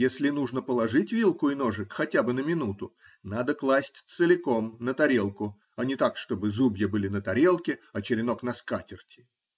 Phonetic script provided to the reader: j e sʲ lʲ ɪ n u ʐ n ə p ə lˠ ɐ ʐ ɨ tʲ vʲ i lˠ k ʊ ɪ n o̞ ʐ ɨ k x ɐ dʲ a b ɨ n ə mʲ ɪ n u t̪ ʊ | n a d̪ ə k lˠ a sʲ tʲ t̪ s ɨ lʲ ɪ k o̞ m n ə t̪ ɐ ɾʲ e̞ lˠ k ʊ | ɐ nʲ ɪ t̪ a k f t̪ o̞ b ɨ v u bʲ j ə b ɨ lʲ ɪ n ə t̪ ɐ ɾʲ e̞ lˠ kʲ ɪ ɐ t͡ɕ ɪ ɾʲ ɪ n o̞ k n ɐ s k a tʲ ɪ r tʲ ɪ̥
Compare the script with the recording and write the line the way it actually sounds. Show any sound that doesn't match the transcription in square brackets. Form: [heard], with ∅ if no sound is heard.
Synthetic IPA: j e sʲ lʲ ɪ n u ʐ n ə p ə lˠ ɐ ʐ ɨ tʲ vʲ i lˠ k ʊ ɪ n o̞ ʐ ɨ k x ɐ [tʲ] a b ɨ n ə mʲ ɪ n u t̪ ʊ | n a d̪ ə k lˠ a sʲ tʲ t̪ s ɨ lʲ ɪ k o̞ m n ə t̪ ɐ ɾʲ e̞ lˠ k ʊ | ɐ nʲ ɪ t̪ a k [ʂ] t̪ o̞ b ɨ [z] u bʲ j ə b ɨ lʲ ɪ n ə t̪ ɐ ɾʲ e̞ lˠ kʲ ɪ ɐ t͡ɕ ɪ ɾʲ ɪ n o̞ k n ɐ s k a tʲ ɪ r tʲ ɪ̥